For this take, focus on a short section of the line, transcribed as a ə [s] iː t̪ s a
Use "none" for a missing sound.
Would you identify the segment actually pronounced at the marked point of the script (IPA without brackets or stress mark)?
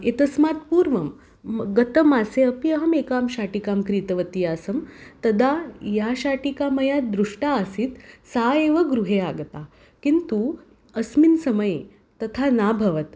s